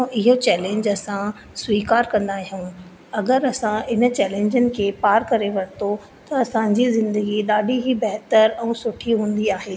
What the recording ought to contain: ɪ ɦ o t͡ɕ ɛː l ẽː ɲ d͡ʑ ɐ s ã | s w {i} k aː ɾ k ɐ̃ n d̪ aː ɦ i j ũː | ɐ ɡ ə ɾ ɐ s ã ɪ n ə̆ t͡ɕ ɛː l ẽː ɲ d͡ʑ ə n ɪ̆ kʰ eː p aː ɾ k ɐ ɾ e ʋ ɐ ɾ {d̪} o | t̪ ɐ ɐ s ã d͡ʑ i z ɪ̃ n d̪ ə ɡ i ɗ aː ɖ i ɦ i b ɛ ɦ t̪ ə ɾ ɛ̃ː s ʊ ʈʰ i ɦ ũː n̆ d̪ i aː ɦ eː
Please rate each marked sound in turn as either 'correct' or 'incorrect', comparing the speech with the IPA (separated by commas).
incorrect, incorrect